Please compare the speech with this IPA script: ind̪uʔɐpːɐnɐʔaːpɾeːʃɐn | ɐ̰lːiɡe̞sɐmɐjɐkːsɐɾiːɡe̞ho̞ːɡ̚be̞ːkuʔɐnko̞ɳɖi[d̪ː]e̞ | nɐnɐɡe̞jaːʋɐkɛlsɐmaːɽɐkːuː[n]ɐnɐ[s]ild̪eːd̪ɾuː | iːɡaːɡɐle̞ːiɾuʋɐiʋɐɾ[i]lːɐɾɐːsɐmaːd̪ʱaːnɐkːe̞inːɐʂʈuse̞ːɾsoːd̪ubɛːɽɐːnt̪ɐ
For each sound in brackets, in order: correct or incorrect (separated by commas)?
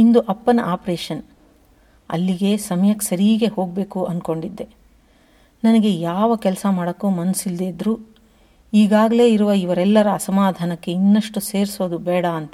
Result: correct, incorrect, correct, incorrect